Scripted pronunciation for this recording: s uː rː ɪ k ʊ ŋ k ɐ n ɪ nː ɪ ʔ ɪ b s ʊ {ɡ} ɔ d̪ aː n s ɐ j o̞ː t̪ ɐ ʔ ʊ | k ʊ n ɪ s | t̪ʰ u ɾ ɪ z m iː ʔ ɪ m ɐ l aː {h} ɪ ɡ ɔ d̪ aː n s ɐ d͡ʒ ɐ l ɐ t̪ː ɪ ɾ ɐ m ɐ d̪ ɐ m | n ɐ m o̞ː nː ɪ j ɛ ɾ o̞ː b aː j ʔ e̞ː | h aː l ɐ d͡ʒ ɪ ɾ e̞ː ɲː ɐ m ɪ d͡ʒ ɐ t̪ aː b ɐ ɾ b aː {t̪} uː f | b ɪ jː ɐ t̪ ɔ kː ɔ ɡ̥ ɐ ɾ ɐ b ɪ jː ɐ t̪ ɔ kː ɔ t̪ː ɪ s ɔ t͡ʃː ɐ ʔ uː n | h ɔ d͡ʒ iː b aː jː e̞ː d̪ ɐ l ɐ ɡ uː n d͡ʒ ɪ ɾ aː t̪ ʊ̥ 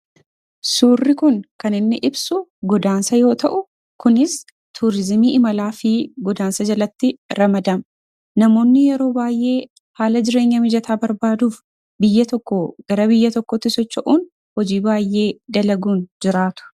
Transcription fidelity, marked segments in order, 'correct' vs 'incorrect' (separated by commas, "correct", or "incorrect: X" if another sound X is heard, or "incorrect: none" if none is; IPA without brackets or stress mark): correct, incorrect: f, incorrect: d̪